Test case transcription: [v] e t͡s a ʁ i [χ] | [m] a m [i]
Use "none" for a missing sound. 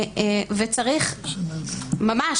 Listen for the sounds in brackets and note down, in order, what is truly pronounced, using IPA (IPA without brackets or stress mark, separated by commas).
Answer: v, χ, m, a